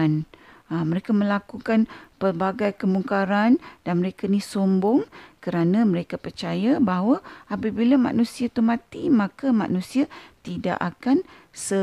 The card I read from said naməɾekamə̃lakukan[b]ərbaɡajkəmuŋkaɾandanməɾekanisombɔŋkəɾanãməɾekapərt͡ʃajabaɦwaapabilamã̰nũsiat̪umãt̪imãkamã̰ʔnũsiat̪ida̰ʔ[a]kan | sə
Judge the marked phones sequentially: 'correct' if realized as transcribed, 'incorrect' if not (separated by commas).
incorrect, correct